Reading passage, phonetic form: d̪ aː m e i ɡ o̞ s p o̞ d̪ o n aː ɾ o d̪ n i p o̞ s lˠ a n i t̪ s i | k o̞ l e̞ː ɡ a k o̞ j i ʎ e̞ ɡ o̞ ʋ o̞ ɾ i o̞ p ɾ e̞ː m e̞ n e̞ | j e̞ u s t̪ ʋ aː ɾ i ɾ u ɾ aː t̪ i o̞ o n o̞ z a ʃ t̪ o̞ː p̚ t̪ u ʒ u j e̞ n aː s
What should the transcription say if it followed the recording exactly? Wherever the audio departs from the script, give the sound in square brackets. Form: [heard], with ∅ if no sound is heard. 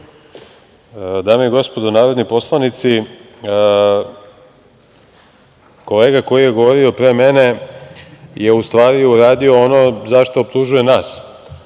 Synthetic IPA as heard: d̪ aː m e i ɡ o̞ s p o̞ d̪ o n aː ɾ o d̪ n i p o̞ s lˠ a n i t̪ s i | k o̞ l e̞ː ɡ a k o̞ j i [j] e̞ ɡ o̞ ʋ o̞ ɾ i o̞ p ɾ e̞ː m e̞ n e̞ | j e̞ u s t̪ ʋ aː ɾ i [∅] u ɾ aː [d̪] i o̞ o n o̞ z a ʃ t̪ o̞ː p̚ t̪ u ʒ u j e̞ n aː s

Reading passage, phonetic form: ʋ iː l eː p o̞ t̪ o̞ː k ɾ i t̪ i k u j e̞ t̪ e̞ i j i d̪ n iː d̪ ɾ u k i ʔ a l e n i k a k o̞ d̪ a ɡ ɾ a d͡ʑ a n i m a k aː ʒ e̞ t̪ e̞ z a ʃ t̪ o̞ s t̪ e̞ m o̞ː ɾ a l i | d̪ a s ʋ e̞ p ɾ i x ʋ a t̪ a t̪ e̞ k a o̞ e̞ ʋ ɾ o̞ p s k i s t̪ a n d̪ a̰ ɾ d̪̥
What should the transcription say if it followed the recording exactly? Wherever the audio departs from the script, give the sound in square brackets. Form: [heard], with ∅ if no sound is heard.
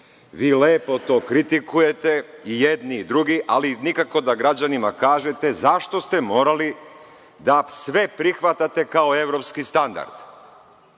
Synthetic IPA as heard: ʋ iː l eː p o̞ t̪ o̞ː k ɾ i t̪ i k u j e̞ t̪ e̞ i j [e] d̪ n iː d̪ ɾ u [ɡ] i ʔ a l [i] n i k a k o̞ d̪ a ɡ ɾ a d͡ʑ a n i m a k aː ʒ e̞ t̪ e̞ z a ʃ t̪ o̞ s t̪ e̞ m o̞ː ɾ a l i | d̪ a s ʋ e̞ p ɾ i x ʋ a t̪ a t̪ e̞ k a o̞ e̞ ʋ ɾ o̞ p s k i s t̪ a n d̪ a̰ ɾ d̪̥

